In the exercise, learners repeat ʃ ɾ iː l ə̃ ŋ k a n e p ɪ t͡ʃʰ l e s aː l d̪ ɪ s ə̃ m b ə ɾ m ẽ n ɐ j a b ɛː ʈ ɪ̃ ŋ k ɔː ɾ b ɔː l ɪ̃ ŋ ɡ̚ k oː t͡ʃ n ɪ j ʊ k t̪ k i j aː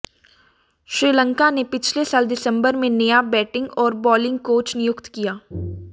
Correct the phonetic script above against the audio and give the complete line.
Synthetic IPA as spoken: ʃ ɾ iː l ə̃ ŋ k a n e p ɪ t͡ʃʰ l e s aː l d̪ ɪ s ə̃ m b ə ɾ m ẽ n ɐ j a b ɛː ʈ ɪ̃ ŋ ɡ ɔː ɾ b ɔː l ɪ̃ ŋ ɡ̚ k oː t͡ʃ n ɪ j ʊ k t̪ k i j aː